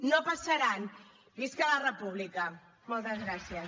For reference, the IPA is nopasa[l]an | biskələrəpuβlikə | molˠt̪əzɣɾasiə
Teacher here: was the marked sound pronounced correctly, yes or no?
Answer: no